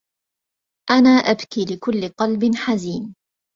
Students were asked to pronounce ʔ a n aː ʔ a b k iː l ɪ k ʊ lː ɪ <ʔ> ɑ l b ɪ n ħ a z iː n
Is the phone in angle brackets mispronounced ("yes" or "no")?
yes